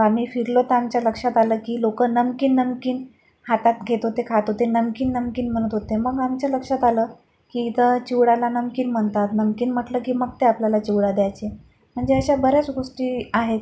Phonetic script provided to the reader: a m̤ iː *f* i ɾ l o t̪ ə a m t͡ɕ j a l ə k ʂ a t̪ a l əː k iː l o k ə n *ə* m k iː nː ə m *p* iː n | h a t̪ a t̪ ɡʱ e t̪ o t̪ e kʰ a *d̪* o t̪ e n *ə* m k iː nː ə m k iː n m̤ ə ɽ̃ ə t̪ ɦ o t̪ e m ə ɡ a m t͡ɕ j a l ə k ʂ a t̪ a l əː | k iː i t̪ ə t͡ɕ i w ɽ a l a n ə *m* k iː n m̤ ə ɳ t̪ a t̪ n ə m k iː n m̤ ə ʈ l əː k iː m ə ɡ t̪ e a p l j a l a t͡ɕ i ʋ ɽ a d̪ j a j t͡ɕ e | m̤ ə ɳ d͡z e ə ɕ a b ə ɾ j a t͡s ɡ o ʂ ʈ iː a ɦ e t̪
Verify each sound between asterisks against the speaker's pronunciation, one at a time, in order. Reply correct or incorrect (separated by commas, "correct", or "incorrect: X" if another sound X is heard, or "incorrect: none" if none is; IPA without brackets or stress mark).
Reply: correct, correct, incorrect: k, incorrect: t̪, correct, correct